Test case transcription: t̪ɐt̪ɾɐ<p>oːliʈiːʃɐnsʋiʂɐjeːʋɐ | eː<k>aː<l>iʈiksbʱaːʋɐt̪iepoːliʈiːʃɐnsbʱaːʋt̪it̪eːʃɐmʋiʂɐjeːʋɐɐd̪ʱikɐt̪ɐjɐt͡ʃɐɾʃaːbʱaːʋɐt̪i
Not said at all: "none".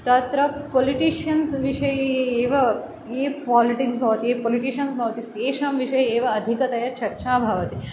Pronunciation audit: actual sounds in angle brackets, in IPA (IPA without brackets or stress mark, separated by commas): p, p, l